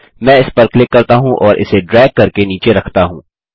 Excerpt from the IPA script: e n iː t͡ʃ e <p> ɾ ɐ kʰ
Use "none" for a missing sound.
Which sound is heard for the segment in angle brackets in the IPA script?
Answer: none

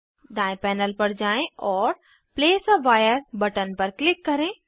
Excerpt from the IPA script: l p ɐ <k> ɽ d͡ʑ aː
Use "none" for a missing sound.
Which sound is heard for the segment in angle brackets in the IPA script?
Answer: none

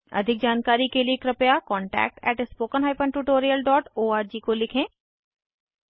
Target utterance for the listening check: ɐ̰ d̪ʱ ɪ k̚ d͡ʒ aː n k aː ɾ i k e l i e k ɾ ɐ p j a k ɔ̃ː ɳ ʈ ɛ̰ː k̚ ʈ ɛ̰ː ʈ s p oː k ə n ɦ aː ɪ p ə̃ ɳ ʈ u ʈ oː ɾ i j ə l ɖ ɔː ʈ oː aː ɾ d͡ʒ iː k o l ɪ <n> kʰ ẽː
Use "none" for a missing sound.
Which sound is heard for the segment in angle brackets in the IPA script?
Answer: none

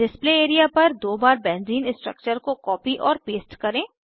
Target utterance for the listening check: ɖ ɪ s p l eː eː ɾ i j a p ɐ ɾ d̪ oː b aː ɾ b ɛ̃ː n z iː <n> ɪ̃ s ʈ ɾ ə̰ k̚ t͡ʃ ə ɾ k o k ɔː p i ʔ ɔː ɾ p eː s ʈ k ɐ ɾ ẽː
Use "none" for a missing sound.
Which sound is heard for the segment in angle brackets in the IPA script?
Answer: n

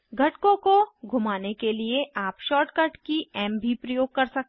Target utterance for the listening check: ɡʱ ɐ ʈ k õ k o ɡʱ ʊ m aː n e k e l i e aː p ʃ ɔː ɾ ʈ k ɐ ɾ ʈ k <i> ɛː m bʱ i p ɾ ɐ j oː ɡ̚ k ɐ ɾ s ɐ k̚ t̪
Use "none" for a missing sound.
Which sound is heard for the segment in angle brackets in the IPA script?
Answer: i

